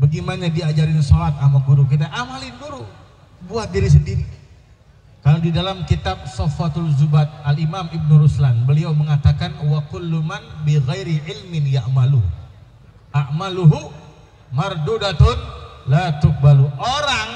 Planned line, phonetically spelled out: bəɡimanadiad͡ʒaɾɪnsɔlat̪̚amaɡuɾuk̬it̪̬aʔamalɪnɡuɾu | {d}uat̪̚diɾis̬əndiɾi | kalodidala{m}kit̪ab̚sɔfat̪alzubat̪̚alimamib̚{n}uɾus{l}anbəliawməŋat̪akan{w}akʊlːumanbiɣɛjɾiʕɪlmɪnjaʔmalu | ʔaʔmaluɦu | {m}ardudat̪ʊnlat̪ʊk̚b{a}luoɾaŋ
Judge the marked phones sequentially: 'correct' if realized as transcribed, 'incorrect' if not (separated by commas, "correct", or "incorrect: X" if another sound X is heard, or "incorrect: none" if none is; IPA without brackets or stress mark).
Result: incorrect: b, correct, correct, correct, correct, correct, correct